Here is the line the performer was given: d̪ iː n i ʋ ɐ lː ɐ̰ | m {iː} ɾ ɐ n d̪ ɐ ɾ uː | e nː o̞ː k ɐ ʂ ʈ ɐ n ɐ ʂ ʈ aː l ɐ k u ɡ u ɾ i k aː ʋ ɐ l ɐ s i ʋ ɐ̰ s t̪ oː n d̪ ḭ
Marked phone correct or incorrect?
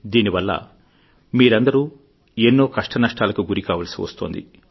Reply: correct